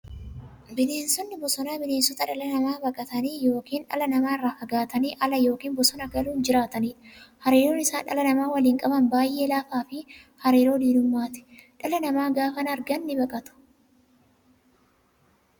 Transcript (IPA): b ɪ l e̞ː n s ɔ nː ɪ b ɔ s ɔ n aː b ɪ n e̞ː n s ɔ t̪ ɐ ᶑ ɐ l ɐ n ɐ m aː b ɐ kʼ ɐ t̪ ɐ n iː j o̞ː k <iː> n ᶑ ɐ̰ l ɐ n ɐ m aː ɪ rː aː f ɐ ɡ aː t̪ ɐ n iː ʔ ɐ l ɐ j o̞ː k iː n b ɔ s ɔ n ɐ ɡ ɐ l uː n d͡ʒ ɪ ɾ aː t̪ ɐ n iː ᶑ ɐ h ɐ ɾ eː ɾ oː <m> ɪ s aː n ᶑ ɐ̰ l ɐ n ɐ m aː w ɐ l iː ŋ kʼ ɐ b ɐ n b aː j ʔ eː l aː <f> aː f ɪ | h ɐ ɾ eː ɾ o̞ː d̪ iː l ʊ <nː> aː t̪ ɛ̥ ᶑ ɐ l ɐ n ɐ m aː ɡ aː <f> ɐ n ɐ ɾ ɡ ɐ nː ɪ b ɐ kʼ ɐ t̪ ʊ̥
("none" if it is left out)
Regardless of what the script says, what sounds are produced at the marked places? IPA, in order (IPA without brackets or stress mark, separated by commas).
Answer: iː, n, f, mː, f